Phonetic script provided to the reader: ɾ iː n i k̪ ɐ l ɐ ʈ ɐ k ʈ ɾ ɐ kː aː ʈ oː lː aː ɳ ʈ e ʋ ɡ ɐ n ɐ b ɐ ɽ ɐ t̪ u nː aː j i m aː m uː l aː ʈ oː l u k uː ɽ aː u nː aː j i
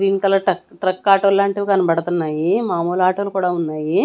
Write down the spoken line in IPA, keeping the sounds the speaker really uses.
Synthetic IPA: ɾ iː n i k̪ ɐ l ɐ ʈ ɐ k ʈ ɾ ɐ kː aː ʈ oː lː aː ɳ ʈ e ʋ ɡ ɐ n ɐ b ɐ ɽ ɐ t̪ u nː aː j i m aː m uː l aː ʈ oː l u k uː ɽ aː u nː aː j i

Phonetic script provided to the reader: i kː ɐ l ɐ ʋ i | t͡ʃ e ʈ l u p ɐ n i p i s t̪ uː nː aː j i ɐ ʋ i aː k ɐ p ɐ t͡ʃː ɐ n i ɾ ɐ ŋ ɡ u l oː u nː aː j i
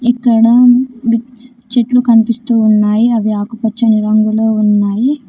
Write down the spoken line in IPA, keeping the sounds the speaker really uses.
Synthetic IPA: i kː ɐ ɽ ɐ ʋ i | t͡ʃ e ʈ l u k ɐ n i p i s t̪ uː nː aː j i ɐ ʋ i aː k ɐ p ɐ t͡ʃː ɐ n i ɾ ɐ ŋ ɡ u l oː u nː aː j i

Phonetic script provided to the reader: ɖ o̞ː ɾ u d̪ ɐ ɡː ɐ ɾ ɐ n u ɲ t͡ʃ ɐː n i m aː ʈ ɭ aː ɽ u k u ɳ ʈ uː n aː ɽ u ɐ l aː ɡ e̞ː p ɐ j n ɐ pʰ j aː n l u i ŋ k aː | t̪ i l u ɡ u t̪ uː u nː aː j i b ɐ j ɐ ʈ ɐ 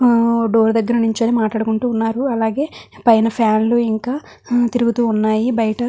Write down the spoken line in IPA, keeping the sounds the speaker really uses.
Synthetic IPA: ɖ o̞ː ɾ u d̪ ɐ ɡː ɐ ɾ ɐ n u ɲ t͡ʃ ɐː n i m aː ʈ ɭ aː ɽ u k u ɳ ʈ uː nː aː ɾ u ɐ l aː ɡ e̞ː p ɐ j n ɐ pʰ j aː n l u i ŋ k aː | t̪ i ɾ u ɡ u t̪ uː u nː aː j i b ɐ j ɐ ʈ ɐ

